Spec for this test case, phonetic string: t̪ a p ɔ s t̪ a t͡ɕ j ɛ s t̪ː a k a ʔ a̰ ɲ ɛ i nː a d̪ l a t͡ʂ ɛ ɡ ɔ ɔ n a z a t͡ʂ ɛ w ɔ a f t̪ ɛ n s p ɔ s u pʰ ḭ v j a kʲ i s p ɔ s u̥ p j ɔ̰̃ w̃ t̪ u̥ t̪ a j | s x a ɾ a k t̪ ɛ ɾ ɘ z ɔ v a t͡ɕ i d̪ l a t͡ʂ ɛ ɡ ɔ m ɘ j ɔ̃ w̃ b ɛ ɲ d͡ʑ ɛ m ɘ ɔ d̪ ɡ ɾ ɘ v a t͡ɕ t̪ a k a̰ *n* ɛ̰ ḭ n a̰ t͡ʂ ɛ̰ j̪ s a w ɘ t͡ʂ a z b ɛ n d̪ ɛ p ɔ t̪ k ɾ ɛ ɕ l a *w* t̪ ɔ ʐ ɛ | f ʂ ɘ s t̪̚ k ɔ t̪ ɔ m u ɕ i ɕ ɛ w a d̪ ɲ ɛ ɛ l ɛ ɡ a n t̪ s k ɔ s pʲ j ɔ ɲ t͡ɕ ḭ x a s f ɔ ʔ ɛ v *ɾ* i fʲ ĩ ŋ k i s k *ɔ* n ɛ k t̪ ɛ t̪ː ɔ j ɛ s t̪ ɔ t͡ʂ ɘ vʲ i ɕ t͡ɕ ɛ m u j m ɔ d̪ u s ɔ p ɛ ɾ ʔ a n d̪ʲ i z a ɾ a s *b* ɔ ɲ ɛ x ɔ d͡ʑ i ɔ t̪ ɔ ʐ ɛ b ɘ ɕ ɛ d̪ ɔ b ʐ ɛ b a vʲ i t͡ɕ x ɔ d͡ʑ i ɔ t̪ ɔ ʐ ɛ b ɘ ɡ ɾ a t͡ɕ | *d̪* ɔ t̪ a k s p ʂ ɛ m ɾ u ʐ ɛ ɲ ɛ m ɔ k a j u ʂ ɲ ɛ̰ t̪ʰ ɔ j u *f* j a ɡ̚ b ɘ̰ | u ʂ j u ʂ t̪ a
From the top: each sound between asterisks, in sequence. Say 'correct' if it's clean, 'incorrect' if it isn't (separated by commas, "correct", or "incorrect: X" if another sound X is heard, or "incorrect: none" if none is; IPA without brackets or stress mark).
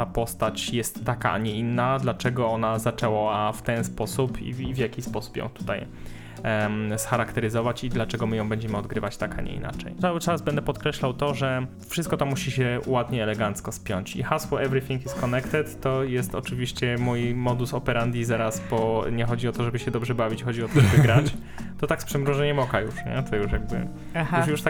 incorrect: ɲ, correct, correct, correct, correct, incorrect: t̪, incorrect: ʂ